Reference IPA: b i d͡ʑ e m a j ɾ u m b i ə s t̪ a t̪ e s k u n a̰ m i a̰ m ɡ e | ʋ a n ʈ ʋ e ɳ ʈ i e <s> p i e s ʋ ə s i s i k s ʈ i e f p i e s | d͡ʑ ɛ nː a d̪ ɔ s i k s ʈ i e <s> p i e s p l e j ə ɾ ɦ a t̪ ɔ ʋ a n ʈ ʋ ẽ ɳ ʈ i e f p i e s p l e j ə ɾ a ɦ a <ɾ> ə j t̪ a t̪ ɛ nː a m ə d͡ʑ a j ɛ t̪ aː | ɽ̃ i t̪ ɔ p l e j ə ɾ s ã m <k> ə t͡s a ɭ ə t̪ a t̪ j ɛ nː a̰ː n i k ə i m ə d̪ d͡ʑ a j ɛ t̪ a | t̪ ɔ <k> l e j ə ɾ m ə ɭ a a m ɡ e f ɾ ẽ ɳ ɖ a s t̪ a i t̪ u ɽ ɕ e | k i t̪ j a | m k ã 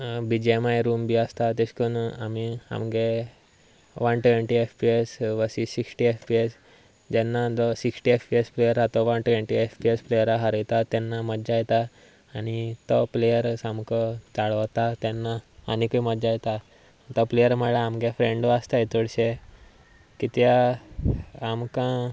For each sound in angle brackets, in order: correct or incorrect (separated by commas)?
incorrect, incorrect, correct, correct, incorrect